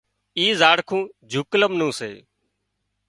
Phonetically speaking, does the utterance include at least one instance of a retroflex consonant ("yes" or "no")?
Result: yes